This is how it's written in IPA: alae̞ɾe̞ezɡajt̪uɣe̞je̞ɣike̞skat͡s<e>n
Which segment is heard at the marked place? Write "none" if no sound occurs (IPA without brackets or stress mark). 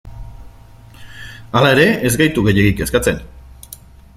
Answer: e